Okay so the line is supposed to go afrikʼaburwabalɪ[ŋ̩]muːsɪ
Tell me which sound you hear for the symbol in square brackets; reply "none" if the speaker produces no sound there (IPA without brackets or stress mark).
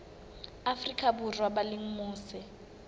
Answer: ŋ̩